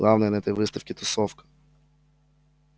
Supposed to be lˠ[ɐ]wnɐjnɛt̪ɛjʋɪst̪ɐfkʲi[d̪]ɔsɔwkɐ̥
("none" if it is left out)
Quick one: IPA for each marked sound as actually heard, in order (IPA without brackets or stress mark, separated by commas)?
ɑ, t̪